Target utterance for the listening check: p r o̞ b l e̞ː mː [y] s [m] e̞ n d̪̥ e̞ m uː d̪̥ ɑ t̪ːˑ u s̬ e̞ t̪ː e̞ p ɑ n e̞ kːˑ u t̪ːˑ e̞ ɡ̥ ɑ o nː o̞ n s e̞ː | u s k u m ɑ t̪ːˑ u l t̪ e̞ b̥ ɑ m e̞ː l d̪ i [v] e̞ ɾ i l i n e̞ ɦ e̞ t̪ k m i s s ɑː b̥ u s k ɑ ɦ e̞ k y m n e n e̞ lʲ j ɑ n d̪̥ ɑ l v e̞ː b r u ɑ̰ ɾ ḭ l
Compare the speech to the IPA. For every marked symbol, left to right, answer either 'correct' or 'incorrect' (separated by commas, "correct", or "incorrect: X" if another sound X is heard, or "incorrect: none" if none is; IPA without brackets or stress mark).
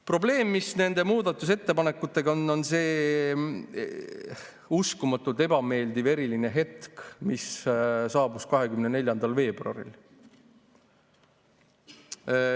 incorrect: i, incorrect: n, correct